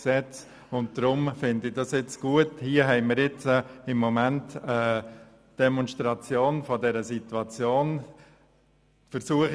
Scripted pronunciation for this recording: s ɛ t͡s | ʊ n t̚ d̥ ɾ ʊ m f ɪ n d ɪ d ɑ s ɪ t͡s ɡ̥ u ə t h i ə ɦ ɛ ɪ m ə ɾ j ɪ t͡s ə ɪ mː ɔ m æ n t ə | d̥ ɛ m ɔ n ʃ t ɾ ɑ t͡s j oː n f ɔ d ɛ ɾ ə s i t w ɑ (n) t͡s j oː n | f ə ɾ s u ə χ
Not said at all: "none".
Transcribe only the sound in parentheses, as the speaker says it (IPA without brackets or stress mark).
none